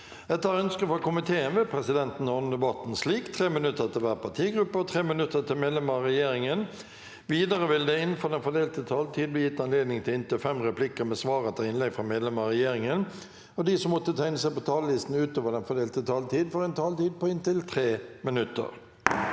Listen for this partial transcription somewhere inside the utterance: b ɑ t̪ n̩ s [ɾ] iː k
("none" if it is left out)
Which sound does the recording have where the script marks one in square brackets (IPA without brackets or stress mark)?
l